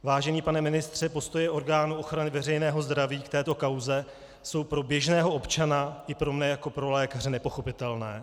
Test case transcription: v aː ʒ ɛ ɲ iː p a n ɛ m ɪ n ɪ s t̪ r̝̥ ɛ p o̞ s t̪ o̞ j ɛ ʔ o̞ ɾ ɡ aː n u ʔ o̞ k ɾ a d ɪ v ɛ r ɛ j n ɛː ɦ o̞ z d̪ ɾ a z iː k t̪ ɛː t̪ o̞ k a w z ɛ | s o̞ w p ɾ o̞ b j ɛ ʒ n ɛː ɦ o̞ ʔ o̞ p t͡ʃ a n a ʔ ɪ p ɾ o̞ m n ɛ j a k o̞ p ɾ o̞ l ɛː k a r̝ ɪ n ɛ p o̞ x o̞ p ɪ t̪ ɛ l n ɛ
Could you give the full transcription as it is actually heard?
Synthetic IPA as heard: v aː ʒ ɛ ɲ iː p a n ɛ m ɪ n ɪ s t̪ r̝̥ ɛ p o̞ s t̪ o̞ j ɛ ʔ o̞ ɾ ɡ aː n u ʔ o̞ x ɾ a n ɪ v ɛ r ɛ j n ɛː ɦ o̞ z d̪ ɾ a v iː k t̪ ɛː t̪ o̞ k a w z ɛ | s o̞ w p ɾ o̞ b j ɛ ʒ n ɛː ɦ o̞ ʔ o̞ p t͡ʃ a n a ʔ ɪ p ɾ o̞ m n ɛ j a k o̞ p ɾ o̞ l ɛː k a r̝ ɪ n ɛ p o̞ x o̞ p ɪ t̪ ɛ l n ɛː